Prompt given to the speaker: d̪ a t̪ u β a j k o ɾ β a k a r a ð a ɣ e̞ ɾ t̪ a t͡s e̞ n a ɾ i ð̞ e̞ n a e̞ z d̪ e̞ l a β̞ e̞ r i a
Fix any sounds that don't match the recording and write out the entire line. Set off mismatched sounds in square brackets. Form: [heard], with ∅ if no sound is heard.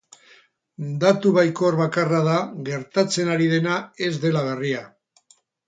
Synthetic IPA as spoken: d̪ a t̪ u β a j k o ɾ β a k a r a ð a ɣ e̞ ɾ t̪ a t͡s e̞ n a ɾ i ð̞ e̞ n a e̞ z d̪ e̞ l a β̞ e̞ r i a

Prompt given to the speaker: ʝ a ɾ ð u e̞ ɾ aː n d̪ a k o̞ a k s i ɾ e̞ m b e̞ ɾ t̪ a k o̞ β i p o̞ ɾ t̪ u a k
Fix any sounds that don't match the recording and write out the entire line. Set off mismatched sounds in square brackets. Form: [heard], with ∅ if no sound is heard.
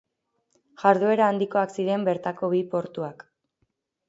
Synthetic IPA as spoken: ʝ a ɾ ð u e̞ ɾ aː n d̪ [i] k o̞ a k s i ɾ e̞ m b e̞ ɾ t̪ a k o̞ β i p o̞ ɾ t̪ u a k

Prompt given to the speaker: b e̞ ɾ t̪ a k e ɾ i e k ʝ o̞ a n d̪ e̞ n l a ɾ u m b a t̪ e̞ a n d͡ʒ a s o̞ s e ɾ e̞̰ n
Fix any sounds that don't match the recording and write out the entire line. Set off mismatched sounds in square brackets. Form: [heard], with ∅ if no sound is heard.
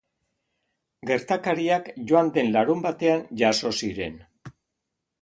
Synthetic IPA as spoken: [ɡ] e̞ ɾ t̪ a k [a] ɾ i [a] k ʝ o̞ a n d̪ e̞ n l a ɾ u m b a t̪ e̞ a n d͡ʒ a s o̞ s [i] ɾ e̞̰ n

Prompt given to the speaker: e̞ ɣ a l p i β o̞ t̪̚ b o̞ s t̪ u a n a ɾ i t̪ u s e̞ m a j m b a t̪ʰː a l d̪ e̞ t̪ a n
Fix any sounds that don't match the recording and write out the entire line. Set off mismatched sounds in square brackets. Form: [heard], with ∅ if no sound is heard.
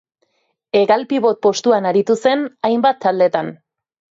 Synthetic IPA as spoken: e̞ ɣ a l p i β o̞ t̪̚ [p] o̞ s t̪ u a n a ɾ i t̪ u s e̞ [n] a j m b a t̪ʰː a l d̪ e̞ t̪ a n

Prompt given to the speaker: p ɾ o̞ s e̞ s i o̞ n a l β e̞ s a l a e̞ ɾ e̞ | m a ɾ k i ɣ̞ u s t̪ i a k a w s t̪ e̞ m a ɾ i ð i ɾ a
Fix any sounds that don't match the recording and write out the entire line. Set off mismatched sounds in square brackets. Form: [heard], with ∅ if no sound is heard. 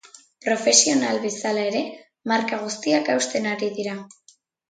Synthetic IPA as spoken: p ɾ o̞ [f] e̞ s i o̞ n a l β e̞ s a l a e̞ ɾ e̞ | m a ɾ k [a] ɣ̞ u s t̪ i a k a w s t̪ e̞ [n] a ɾ i ð i ɾ a

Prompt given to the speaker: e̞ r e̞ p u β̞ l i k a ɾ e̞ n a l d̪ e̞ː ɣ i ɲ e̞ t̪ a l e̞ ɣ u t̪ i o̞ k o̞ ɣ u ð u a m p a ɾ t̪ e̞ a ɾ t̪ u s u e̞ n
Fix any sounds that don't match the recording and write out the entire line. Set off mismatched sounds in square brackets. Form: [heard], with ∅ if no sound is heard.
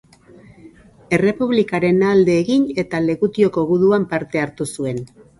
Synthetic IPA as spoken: e̞ r e̞ p u β̞ l i k a ɾ e̞ n a l d̪ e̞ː ɣ i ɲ e̞ t̪ a l e̞ ɣ u t̪ i o̞ k o̞ ɣ u ð u a m p a ɾ t̪ e̞ a ɾ t̪ u s u e̞ n

